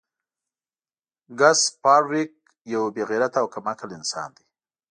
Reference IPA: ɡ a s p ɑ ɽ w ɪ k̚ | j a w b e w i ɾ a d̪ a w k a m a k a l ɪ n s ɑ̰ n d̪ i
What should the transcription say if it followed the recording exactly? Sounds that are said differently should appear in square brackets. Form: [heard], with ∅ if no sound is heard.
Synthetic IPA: ɡ a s p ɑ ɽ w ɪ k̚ | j a w b e [ɣ] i ɾ a [t̪] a w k a m a k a l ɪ n s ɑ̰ n d̪ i